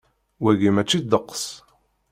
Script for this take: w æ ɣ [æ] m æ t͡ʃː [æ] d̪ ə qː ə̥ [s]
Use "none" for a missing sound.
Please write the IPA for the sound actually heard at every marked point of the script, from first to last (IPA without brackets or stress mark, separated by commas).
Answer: i, i, s